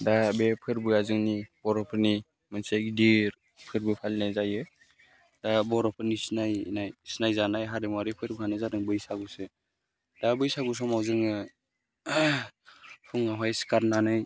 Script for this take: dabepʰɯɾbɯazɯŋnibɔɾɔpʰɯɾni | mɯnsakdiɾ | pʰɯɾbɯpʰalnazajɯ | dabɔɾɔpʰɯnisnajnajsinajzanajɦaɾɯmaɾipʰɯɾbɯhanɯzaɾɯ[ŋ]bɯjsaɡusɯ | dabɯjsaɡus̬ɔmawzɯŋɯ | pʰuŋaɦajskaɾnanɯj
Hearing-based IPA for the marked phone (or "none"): ŋ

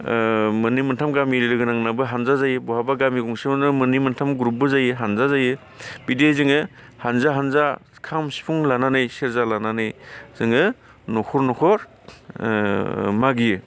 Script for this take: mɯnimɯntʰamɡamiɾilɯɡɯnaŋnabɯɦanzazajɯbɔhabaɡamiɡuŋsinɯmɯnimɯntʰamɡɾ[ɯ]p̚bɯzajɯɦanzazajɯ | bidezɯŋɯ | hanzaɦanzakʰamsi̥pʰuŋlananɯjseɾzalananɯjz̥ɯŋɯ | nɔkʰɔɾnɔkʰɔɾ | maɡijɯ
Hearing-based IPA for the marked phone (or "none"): u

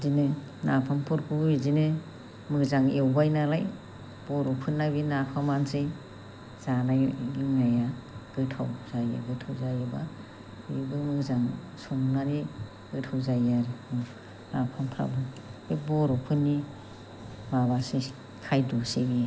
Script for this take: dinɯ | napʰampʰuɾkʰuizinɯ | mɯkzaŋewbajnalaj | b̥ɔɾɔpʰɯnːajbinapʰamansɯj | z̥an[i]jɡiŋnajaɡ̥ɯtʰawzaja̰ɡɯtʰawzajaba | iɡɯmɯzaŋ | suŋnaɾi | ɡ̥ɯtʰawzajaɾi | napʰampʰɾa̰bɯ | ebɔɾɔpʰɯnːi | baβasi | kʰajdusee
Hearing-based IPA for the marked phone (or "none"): a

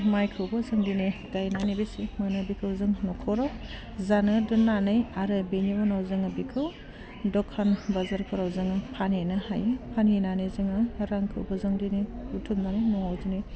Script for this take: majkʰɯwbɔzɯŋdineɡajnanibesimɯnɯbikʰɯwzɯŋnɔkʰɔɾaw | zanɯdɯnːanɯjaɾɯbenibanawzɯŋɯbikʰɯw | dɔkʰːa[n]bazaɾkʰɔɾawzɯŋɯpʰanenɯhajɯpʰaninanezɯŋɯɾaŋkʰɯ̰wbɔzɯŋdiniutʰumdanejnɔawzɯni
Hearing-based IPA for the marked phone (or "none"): n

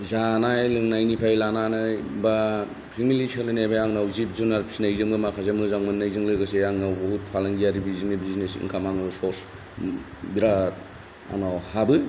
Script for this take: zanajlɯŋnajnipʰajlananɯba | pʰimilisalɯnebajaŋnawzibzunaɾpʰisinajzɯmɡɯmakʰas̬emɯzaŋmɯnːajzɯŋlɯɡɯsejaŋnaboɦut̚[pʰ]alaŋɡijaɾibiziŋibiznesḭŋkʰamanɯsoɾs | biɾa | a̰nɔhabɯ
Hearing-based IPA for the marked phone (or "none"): pʰ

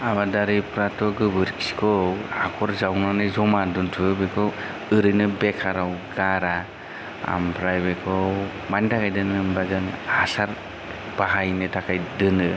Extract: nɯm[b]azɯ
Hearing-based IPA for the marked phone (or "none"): b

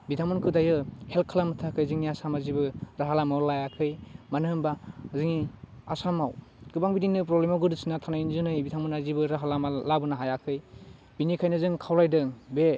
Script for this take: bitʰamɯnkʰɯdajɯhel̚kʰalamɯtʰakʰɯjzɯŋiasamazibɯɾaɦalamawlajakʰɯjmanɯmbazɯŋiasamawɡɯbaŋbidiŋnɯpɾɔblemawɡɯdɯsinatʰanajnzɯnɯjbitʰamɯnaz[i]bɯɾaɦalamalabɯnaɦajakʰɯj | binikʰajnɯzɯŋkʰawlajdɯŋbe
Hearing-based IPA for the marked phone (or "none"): i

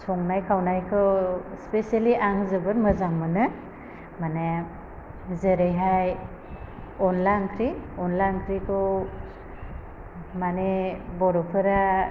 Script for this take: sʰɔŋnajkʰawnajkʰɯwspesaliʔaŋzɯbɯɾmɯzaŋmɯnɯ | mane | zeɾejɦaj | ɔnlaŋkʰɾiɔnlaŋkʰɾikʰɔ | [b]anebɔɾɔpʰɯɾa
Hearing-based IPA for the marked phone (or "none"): m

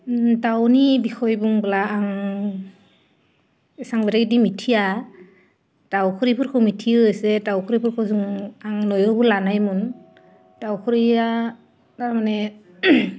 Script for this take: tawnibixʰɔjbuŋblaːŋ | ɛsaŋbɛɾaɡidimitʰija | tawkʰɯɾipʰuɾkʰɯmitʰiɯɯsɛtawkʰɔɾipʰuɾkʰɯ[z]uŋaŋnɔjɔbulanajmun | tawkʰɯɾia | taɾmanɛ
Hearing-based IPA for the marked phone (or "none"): z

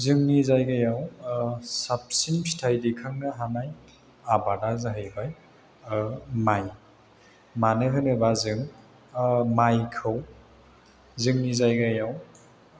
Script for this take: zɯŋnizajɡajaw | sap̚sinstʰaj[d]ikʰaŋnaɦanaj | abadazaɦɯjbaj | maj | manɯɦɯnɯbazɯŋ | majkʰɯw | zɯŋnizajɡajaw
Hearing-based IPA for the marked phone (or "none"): d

